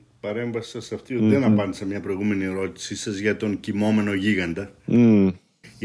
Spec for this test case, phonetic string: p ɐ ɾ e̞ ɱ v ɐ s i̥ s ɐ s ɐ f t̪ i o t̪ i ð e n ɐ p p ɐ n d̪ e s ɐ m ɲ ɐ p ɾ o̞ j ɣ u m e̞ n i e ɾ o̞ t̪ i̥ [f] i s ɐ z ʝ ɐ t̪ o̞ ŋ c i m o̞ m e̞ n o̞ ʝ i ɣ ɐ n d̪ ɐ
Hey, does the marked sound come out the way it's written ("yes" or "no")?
no